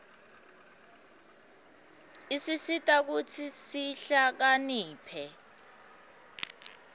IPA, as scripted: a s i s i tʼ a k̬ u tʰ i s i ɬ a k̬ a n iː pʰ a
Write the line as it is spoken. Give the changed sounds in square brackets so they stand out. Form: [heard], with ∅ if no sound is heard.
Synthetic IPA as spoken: [i] s i s i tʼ a k̬ u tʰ i s i ɬ a k̬ a n iː pʰ [ɛ]

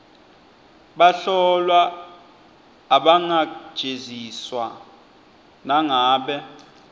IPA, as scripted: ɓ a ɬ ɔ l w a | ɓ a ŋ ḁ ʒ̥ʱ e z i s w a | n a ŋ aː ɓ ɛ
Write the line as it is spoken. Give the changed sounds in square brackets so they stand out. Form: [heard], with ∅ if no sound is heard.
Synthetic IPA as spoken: ɓ a ɬ ɔ l w a | ɓ a ŋ ḁ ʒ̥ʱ e z i s w a | n a ŋ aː ɓ ɛ

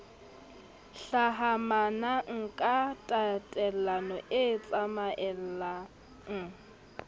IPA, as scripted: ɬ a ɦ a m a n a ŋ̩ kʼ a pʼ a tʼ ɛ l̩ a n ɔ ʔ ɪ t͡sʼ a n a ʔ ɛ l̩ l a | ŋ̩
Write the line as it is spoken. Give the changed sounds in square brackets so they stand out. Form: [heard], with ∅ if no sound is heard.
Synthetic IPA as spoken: ɬ a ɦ a m a n a ŋ̩ kʼ a [tʼ] a tʼ ɛ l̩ a n ɔ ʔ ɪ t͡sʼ a [m] a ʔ ɛ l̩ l a | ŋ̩

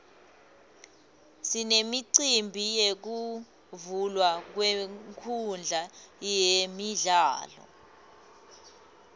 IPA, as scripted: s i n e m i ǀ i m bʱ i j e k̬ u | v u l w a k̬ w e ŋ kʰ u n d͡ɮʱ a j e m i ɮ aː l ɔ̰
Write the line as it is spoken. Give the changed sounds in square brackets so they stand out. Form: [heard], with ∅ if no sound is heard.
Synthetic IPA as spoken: s i n e m i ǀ i m bʱ i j e k̬ u | v u l w a k̬ w e ŋ kʰ u n d͡ɮʱ a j e m i ɮ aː l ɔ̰

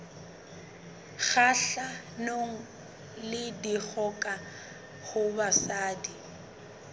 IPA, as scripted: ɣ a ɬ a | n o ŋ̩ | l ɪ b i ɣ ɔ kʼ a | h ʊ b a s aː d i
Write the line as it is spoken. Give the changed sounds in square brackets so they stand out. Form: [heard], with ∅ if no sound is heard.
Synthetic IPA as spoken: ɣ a ɬ a | n o ŋ̩ | l ɪ [d] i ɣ ɔ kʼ a | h ʊ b a s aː d i

